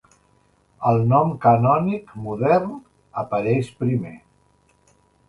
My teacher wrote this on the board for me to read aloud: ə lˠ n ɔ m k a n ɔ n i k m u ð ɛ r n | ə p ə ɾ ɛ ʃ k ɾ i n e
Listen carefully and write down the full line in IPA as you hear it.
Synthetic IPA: ə lˠ n ɔ m k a n ɔ n i k m u ð ɛ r n | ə p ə ɾ ɛ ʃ p ɾ i m e